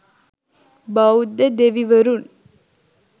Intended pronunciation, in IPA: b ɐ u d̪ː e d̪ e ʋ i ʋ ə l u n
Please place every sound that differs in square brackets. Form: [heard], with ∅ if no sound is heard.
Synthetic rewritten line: b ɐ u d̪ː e d̪ e ʋ i ʋ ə [ɾ] u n